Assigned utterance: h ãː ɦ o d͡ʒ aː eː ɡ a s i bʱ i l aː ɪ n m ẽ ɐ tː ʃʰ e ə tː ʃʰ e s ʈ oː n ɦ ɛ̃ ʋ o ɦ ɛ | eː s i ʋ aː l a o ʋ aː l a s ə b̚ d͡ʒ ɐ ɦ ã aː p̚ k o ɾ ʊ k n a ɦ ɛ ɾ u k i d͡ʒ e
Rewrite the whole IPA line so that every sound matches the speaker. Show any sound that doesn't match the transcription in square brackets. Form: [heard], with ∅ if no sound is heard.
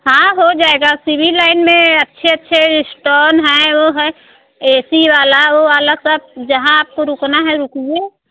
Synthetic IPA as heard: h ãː ɦ o d͡ʒ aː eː ɡ a s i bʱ i l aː ɪ n m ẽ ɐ tː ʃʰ e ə tː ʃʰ e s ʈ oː n ɦ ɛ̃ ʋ o ɦ ɛ | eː s i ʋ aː l a o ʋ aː l a s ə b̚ d͡ʒ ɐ ɦ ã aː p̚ k o ɾ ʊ k n a ɦ ɛ ɾ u k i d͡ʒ e